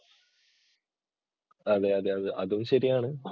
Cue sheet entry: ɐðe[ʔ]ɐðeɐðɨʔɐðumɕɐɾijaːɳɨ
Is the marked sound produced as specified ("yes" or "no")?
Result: no